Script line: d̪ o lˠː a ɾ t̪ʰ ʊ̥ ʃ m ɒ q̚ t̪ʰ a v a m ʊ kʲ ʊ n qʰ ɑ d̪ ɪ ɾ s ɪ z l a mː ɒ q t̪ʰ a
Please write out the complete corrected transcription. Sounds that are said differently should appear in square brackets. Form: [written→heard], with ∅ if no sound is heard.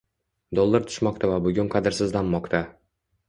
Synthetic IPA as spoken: d̪ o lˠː a ɾ t̪ʰ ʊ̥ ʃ m ɒ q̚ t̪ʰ a v a [m→b] ʊ [kʲ→ɡʲ] ʊ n qʰ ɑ d̪ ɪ ɾ s ɪ z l a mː ɒ q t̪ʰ a